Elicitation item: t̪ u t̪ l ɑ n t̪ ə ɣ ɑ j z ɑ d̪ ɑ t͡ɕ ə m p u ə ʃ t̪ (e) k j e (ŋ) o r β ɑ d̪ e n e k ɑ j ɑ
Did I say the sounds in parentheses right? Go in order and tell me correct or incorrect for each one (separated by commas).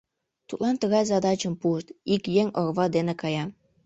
incorrect, correct